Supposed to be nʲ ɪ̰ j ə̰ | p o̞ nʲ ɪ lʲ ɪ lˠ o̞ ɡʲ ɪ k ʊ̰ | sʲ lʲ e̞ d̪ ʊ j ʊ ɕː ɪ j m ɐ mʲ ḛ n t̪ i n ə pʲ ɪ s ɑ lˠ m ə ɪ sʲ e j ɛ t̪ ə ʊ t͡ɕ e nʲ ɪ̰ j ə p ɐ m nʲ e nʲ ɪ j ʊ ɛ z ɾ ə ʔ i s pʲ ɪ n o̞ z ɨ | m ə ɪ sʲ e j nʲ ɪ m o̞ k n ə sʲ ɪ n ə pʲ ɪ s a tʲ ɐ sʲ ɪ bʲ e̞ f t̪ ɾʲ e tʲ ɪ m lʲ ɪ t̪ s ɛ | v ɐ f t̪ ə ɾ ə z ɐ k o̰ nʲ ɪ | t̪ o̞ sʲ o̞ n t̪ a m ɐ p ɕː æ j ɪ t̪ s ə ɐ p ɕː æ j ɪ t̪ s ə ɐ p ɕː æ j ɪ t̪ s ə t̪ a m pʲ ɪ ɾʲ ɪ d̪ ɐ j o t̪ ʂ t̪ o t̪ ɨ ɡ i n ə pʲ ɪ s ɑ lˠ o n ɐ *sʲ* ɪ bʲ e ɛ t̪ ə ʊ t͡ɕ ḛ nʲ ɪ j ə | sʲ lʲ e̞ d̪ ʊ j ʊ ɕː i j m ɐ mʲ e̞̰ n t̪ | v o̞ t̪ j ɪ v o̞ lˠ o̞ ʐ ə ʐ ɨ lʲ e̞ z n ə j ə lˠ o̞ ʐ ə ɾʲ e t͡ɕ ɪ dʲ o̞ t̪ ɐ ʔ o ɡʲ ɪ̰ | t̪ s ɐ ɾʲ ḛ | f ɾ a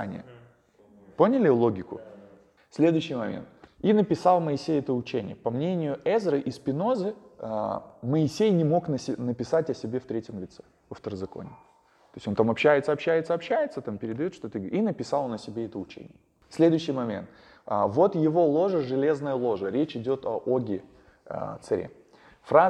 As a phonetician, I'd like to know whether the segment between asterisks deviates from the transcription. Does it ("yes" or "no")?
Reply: no